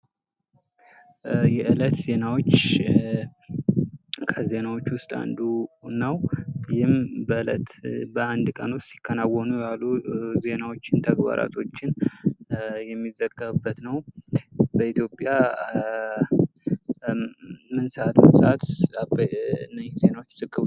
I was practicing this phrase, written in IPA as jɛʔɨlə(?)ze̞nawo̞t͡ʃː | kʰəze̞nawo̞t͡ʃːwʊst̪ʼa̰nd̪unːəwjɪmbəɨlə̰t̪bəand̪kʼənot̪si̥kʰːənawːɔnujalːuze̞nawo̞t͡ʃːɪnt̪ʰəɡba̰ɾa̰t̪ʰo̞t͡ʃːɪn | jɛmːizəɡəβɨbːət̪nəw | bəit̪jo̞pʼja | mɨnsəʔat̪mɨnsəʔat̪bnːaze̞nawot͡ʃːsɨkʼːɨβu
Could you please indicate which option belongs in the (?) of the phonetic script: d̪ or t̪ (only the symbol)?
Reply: t̪